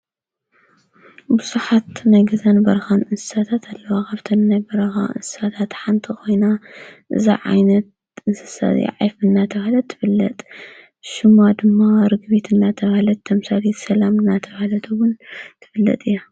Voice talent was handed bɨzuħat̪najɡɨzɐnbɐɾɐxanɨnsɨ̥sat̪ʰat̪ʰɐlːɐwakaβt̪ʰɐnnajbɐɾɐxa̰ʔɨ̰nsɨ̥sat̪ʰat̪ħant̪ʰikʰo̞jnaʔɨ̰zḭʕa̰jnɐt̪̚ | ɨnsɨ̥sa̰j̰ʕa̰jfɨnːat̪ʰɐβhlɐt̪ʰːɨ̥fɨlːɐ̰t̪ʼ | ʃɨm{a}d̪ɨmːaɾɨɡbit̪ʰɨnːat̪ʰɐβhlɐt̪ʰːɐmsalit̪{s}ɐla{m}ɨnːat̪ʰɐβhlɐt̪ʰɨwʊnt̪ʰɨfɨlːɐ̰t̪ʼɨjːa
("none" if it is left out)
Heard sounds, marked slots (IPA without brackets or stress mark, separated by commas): a, s, m